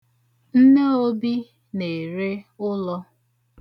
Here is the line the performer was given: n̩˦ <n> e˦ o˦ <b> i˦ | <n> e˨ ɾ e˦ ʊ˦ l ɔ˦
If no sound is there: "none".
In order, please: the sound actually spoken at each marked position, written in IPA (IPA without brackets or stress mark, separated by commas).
n, b, n